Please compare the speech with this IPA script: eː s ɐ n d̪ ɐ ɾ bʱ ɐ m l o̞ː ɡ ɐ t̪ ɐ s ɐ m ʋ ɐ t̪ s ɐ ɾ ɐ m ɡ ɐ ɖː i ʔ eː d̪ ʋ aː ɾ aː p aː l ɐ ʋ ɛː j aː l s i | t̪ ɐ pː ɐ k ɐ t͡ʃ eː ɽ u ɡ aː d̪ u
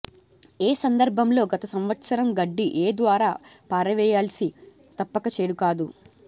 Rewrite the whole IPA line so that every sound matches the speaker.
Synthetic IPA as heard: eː s ɐ n d̪ ɐ ɾ bʱ ɐ m l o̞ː ɡ ɐ t̪ ɐ s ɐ m ʋ ɐ t̪ s ɐ ɾ ɐ m ɡ ɐ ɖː i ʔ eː d̪ ʋ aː ɾ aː p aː ɾ ɐ ʋ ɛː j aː l s i | t̪ ɐ pː ɐ k ɐ t͡ʃ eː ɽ u k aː d̪ u